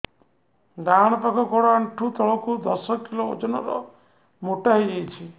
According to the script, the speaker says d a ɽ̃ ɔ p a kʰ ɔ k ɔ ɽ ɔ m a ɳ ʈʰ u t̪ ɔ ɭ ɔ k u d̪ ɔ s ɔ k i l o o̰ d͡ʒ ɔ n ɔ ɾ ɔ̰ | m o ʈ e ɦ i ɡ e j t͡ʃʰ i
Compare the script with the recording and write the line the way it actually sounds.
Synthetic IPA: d a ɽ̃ ɔ p a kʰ ɔ k ɔ ɽ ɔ a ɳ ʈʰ u t̪ ɔ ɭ ɔ k u d̪ ɔ s ɔ k i l o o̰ d͡ʒ ɔ n ɔ ɾ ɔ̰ | m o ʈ a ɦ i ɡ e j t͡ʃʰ i